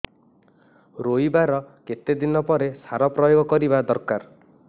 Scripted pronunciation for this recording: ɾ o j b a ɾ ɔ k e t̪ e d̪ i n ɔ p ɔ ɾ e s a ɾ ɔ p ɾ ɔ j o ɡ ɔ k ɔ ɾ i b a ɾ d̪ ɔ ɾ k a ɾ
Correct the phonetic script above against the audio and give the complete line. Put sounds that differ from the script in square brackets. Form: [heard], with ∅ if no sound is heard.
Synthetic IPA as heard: ɾ o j b a ɾ ɔ k e t̪ e d̪ i n ɔ p ɔ ɾ e s a ɾ ɔ p ɾ ɔ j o ɡ ɔ k ɔ ɾ i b a [∅] d̪ ɔ ɾ k a ɾ

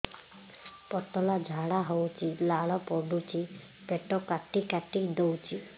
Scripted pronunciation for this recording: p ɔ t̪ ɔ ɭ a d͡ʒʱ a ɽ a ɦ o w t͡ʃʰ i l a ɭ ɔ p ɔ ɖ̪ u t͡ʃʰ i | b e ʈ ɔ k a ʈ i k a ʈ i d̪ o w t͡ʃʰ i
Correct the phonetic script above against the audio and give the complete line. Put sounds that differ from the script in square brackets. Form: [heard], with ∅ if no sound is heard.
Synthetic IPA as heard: p ɔ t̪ ɔ [l] a d͡ʒʱ a ɽ a ɦ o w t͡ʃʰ i l a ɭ ɔ p ɔ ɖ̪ u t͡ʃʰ i | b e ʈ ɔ k a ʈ i k a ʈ i d̪ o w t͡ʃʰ i

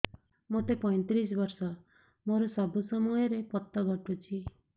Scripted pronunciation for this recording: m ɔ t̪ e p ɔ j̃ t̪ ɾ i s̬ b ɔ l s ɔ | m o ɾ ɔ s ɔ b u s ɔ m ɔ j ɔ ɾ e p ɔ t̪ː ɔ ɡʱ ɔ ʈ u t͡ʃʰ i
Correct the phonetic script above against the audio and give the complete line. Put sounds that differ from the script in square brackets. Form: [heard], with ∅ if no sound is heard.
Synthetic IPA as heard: m [o] t̪ e p ɔ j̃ t̪ ɾ i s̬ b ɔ [ɾ] s ɔ | m o ɾ ɔ s ɔ b u s ɔ m ɔ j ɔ ɾ e p ɔ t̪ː ɔ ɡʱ ɔ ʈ u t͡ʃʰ i

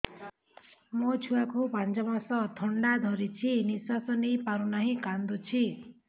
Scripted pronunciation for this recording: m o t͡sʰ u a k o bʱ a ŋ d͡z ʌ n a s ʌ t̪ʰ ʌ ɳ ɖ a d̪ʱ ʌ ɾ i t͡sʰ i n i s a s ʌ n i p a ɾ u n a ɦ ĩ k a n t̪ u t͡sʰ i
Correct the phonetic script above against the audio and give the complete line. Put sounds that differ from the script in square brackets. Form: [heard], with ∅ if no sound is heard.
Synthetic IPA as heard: m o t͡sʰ u a k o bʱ a [n] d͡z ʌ [m] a s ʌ t̪ʰ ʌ ɳ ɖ a d̪ʱ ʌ ɾ i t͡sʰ i n i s a s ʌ n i p a ɾ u n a ɦ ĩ k a n [d̪] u t͡sʰ i

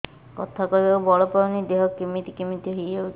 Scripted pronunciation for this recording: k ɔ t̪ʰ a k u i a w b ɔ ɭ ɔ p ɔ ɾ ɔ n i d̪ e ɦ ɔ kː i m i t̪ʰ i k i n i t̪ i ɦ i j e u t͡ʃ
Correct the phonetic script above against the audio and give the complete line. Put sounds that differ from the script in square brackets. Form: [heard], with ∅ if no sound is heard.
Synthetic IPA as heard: k ɔ t̪ʰ a k [ɔ] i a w b ɔ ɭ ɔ p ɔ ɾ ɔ n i d̪ e ɦ ɔ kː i m i [t̪] i k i [m] i t̪ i ɦ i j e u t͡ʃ

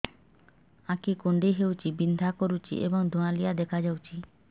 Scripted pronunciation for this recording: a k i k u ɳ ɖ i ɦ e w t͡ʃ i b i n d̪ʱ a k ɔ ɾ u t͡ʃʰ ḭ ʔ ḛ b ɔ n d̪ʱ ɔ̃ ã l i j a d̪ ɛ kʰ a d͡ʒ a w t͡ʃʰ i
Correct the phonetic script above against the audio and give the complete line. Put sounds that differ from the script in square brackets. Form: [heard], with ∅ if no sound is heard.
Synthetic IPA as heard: a k i k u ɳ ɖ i ɦ e w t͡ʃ i b i n d̪ʱ a k ɔ ɾ u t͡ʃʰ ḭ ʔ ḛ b ɔ [ŋ] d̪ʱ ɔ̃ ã l i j a d̪ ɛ kʰ a d͡ʒ a w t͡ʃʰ i

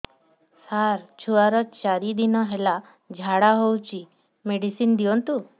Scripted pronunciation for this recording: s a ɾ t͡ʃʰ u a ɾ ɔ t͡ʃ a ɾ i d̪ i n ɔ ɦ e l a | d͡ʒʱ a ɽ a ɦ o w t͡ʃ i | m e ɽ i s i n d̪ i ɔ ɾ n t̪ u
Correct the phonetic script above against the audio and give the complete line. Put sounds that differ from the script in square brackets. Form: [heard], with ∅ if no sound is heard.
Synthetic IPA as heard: s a ɾ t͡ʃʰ u a ɾ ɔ t͡ʃ a ɾ i d̪ i n ɔ ɦ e l a | d͡ʒʱ a ɽ a ɦ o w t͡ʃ i | m e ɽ i s i n d̪ i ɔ [∅] n t̪ u

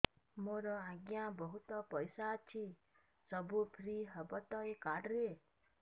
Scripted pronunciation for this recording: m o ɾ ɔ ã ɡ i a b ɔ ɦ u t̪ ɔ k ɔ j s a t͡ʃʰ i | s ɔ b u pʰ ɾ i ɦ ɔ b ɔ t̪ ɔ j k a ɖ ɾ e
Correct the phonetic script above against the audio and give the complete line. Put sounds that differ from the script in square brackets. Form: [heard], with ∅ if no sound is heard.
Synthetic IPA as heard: m o ɾ ɔ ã ɡ [j] a b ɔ ɦ u t̪ ɔ [p] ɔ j s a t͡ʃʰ i | s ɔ b u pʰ ɾ i ɦ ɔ b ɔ t̪ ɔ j k a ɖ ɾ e

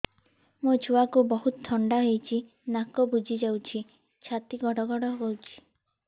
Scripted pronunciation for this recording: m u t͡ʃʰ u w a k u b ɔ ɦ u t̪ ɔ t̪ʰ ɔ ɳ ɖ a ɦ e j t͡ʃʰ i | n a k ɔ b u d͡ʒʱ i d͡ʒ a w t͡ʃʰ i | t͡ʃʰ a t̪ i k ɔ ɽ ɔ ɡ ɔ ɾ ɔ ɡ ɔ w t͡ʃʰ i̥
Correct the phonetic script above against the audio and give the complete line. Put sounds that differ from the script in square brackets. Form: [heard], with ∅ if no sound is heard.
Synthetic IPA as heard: m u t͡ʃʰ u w a k u b ɔ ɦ u t̪ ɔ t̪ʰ ɔ ɳ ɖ a ɦ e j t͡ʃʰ i | n a k ɔ b u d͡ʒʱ i d͡ʒ a w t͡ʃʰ i | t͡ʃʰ a t̪ i [ɡ] ɔ ɽ ɔ ɡ ɔ [ɽ] ɔ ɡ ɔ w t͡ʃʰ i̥

